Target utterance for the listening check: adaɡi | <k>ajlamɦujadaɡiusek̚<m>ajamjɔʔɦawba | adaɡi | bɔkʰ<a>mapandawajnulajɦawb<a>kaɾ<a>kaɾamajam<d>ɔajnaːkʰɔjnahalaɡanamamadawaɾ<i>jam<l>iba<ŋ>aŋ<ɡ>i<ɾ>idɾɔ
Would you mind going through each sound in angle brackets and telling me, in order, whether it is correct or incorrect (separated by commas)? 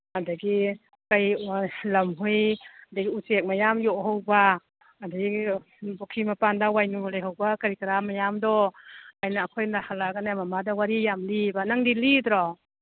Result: correct, correct, incorrect, correct, incorrect, correct, correct, correct, incorrect, incorrect, incorrect